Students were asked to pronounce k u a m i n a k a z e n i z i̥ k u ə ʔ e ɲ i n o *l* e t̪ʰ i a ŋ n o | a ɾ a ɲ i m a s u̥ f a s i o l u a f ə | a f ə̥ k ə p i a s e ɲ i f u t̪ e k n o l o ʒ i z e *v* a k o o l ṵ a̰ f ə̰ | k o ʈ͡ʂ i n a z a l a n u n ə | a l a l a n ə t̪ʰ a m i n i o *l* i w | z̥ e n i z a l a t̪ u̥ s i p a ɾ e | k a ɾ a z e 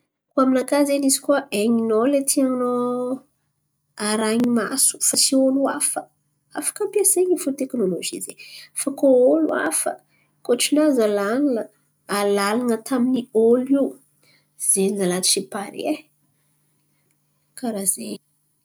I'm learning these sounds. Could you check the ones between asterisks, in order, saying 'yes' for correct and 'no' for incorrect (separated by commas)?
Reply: yes, no, yes